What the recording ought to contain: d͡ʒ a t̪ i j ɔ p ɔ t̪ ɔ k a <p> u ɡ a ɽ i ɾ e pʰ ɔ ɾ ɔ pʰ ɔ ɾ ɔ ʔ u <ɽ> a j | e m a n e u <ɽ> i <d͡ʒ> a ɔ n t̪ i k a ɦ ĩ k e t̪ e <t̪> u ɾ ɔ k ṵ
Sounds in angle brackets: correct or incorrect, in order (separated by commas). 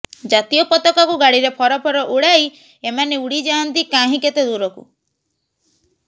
incorrect, correct, correct, correct, incorrect